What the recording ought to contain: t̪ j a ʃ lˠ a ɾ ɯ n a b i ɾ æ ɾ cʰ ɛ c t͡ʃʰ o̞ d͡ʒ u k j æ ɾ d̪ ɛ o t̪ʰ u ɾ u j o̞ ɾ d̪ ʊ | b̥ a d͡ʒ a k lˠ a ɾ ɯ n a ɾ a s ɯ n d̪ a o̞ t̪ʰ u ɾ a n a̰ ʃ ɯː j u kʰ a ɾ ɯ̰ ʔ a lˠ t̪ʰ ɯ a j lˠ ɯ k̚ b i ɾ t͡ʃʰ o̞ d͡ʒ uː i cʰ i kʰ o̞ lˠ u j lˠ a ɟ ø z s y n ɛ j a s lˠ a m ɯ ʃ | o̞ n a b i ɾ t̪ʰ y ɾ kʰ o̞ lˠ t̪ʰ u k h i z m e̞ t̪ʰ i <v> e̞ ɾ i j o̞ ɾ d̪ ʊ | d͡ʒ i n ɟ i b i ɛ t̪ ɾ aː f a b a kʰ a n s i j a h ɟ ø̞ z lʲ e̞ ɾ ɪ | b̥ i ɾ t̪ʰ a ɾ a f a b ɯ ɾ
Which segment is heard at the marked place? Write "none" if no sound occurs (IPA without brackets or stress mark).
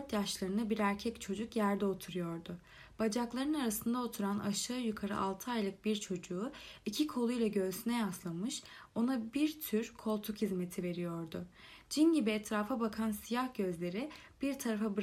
v